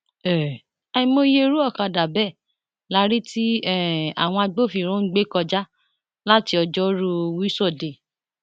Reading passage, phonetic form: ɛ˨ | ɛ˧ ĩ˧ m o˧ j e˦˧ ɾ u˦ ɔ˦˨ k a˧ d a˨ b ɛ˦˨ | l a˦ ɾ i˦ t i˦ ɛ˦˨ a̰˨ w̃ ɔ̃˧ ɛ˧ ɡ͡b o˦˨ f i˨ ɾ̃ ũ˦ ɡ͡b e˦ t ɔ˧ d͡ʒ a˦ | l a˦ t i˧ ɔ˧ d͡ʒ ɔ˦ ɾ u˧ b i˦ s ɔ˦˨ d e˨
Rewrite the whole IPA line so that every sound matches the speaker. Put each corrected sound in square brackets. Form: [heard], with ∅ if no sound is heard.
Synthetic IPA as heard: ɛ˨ | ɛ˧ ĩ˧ m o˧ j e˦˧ ɾ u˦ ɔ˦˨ k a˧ d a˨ b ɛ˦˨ | l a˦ ɾ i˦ t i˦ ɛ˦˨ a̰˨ w̃ ɔ̃˧ [a˧] ɡ͡b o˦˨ f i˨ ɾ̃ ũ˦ ɡ͡b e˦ [k] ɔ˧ d͡ʒ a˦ | l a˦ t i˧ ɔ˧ d͡ʒ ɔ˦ ɾ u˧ [w] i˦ s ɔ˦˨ d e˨